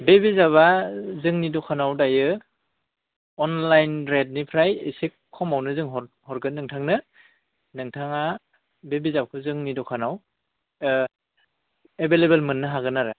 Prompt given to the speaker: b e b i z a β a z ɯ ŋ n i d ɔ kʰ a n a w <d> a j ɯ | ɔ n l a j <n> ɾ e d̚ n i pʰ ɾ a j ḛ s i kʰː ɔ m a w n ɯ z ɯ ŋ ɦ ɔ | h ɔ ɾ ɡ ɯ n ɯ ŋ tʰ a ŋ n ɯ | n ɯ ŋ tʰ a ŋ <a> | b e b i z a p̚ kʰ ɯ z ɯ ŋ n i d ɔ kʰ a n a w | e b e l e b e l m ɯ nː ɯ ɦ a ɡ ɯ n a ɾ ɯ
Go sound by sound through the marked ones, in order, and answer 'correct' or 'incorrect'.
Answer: correct, correct, correct

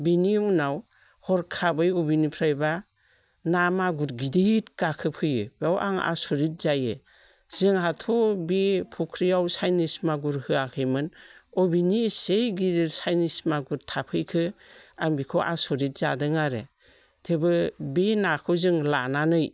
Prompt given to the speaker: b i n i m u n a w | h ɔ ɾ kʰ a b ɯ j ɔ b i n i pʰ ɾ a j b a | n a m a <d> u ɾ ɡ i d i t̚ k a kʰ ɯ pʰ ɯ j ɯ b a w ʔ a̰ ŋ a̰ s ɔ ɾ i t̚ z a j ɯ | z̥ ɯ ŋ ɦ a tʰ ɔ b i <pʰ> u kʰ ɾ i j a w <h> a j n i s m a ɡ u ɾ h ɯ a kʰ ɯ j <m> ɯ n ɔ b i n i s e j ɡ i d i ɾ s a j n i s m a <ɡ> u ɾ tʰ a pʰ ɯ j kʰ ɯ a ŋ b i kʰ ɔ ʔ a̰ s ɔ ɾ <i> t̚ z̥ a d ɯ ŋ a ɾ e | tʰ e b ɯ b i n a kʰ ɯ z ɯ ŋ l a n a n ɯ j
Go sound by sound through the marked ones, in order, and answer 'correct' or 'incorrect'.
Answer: incorrect: ɡ, correct, incorrect: s, correct, correct, correct

